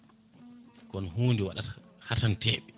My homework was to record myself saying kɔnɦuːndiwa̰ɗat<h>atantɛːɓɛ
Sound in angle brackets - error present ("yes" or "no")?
no